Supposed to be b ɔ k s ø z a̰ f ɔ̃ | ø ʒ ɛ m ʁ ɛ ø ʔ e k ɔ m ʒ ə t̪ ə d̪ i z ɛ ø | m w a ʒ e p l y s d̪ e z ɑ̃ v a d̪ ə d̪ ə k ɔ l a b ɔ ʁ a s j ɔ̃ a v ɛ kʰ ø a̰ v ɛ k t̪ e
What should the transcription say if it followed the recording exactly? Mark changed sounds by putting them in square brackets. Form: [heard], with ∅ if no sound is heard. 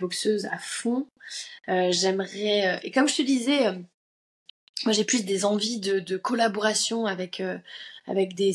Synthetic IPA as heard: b ɔ k s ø z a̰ f ɔ̃ | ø ʒ ɛ m ʁ ɛ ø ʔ e k ɔ m ʒ ə t̪ ə d̪ i z ɛ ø | m w a ʒ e p l y s d̪ e z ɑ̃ v [i] d̪ ə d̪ ə k ɔ l a b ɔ ʁ a s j ɔ̃ a v ɛ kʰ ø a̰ v ɛ k [d̪] e